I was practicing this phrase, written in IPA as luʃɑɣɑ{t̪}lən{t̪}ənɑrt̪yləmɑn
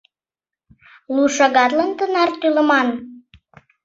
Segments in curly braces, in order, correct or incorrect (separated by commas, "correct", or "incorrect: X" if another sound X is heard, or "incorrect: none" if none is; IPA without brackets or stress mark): correct, correct